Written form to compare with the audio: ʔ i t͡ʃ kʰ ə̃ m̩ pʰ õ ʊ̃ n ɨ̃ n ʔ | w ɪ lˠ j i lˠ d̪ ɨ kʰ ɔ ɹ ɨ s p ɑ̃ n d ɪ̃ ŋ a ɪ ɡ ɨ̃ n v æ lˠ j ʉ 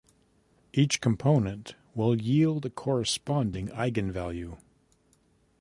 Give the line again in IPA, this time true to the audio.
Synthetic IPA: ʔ i t͡ʃ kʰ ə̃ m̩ pʰ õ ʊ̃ n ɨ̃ n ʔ | w ɪ lˠ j i lˠ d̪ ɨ kʰ ɔ ɹ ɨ s p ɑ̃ n d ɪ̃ ŋ a ɪ ɡ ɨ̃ n v æ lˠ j ʉ

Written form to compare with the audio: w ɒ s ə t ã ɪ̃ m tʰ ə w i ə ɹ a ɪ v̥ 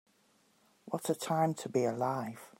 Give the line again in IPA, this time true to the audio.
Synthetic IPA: w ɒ t ə tʰ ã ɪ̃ m tʰ ə b i ə l a ɪ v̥

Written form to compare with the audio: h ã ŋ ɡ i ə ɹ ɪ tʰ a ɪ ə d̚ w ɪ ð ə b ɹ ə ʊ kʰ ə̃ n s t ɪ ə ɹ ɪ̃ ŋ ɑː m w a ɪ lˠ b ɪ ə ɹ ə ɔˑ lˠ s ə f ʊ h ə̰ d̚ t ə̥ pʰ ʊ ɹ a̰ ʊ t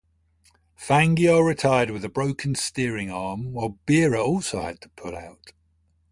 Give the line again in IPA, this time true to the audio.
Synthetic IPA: f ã ŋ ɡ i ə ɹ ɪ tʰ a ɪ ə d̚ w ɪ ð ə b ɹ ə ʊ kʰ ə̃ n s t ɪ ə ɹ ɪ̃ ŋ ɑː m w a ɪ lˠ b ɪ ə ɹ ə ɔˑ lˠ s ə ʊ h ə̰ d̚ tʰ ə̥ pʰ ʊ l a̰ ʊ t

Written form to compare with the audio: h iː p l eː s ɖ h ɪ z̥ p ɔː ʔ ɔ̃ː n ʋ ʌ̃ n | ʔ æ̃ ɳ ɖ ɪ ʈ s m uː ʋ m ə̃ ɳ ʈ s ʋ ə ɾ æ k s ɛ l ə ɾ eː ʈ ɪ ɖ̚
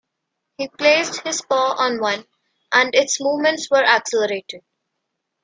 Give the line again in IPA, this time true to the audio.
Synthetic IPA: h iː p l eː s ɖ h ɪ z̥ p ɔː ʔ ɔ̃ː n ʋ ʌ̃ n | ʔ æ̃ ɳ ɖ ɪ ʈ s m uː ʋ m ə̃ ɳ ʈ s ʋ ə ɾ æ k s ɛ l ə ɾ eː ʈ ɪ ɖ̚

